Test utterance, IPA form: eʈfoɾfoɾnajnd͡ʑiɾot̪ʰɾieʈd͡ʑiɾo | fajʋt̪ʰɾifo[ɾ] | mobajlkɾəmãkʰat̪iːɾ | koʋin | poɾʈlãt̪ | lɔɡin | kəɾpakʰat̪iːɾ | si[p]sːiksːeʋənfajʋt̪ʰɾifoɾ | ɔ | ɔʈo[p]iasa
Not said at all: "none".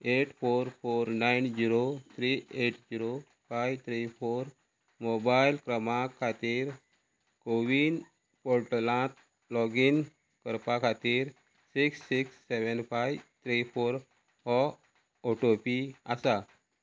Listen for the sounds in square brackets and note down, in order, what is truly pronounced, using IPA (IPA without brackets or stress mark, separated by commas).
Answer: ɾ, k, p